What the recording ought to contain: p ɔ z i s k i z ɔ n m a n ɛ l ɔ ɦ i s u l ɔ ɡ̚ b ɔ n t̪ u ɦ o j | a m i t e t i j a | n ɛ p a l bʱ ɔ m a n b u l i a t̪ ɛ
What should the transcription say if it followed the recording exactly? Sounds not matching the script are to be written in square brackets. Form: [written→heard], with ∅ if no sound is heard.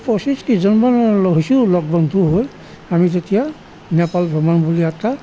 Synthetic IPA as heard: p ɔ [z→s] i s k i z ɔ n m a n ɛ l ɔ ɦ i s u l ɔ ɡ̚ b ɔ n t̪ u ɦ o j | a m i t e t i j a | n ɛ p a l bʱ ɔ m a n b u l i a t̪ [ɛ→a]